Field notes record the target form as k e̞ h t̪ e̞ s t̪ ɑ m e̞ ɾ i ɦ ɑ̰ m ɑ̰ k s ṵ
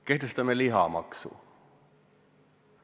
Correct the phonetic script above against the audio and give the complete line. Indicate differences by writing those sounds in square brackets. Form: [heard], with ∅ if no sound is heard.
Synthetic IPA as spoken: k e̞ h t̪ e̞ s t̪ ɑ m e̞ [l] i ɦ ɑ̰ m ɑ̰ k s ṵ